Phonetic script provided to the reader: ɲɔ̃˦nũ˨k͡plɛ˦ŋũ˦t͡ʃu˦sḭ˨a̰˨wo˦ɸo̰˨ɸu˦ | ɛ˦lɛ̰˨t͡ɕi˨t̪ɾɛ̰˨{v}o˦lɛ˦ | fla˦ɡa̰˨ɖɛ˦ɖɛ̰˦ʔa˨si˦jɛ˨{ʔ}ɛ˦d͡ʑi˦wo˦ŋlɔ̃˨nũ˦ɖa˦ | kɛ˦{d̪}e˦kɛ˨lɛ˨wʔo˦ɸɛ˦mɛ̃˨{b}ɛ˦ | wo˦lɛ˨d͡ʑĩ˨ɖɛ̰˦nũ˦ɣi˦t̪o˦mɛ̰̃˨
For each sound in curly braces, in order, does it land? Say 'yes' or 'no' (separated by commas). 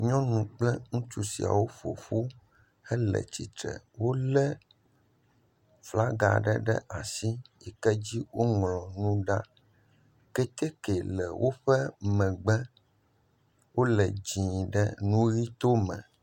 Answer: no, no, no, no